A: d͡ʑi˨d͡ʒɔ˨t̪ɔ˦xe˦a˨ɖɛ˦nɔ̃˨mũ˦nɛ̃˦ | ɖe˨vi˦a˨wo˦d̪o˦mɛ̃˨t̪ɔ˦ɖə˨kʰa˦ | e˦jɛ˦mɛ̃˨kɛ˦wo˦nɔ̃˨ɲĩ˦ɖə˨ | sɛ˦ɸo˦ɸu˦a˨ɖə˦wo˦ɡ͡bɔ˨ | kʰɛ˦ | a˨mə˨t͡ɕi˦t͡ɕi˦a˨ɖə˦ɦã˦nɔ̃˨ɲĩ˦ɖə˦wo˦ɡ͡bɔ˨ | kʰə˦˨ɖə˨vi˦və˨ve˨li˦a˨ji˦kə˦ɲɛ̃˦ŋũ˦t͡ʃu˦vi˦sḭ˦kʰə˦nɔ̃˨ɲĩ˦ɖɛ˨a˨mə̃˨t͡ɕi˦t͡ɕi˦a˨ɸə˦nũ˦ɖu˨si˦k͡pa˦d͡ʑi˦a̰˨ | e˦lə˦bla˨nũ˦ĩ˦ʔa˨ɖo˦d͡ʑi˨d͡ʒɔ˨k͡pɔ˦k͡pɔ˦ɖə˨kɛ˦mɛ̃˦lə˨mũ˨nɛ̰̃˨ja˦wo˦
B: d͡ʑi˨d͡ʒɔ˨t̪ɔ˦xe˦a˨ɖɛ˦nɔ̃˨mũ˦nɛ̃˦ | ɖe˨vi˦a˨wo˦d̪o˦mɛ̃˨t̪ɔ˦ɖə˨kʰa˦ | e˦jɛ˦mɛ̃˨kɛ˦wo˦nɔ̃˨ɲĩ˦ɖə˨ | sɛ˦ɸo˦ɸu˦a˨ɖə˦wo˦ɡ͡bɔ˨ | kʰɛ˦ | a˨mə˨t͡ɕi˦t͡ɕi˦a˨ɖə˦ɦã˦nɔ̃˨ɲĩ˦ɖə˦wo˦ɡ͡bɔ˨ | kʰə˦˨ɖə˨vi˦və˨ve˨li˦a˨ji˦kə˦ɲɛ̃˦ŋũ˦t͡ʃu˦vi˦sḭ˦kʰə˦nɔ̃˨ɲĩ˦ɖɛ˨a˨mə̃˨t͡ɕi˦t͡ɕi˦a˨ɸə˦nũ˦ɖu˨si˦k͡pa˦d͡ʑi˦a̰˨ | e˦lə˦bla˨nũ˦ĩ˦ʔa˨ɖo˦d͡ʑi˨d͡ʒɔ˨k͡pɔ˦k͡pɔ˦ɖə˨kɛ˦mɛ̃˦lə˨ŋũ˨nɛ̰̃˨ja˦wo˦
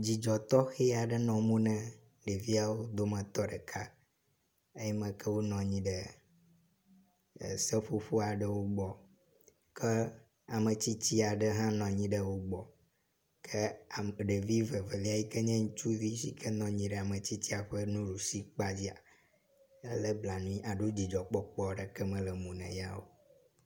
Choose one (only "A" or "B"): A